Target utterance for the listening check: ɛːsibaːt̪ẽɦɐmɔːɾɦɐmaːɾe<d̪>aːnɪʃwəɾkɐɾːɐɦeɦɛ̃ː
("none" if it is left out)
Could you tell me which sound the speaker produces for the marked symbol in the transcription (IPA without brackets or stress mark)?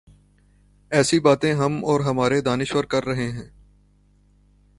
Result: d̪